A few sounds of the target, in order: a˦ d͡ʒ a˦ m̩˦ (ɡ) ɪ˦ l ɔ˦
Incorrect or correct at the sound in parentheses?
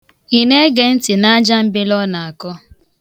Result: incorrect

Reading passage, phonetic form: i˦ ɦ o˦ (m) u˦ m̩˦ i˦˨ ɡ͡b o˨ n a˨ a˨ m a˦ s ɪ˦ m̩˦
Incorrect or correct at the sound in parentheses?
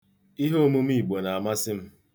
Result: correct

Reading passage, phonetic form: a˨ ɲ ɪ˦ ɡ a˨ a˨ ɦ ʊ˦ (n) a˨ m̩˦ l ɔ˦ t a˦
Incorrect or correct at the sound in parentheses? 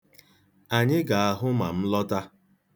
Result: incorrect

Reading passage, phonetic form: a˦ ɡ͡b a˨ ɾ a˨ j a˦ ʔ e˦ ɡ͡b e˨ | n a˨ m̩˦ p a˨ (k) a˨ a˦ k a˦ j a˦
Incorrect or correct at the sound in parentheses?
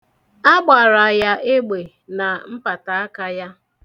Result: incorrect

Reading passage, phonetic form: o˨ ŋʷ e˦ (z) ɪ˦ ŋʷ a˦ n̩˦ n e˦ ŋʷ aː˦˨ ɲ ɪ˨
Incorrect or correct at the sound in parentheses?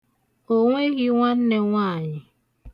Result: incorrect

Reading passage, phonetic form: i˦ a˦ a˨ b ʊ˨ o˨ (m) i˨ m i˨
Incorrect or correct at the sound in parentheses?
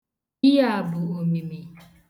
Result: correct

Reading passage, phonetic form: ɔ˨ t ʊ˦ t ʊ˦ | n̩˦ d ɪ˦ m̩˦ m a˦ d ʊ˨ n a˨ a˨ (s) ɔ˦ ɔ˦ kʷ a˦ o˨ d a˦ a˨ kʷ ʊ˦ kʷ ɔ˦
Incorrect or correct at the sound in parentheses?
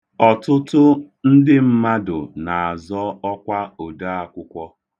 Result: incorrect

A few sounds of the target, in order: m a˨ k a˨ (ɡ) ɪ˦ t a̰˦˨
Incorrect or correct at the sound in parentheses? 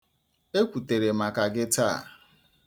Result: correct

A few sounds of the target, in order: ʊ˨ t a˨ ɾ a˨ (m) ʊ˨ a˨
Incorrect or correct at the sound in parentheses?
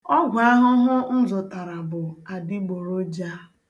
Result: incorrect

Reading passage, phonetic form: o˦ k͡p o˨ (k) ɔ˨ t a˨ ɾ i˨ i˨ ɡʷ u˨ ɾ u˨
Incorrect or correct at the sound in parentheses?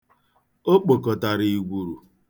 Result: correct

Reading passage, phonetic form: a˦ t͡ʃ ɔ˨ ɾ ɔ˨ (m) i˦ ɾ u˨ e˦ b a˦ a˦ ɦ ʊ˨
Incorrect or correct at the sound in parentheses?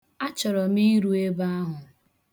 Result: correct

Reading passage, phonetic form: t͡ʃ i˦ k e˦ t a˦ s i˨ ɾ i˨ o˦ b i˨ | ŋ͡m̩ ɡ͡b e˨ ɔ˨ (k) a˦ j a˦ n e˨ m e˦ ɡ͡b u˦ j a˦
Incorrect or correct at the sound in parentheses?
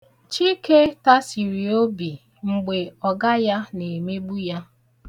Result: incorrect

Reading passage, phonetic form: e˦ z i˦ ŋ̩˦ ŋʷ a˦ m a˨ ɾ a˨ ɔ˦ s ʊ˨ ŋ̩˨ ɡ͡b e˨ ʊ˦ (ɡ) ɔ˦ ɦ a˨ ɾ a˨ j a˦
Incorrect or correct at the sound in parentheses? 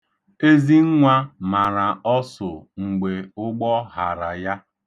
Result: incorrect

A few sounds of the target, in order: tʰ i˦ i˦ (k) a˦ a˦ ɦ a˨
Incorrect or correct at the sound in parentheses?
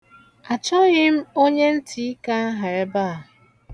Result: correct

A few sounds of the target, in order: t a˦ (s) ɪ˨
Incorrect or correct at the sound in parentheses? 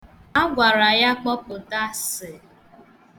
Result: correct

